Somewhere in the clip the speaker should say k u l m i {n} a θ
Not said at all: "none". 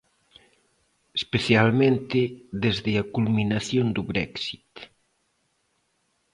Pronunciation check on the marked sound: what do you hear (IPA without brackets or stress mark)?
n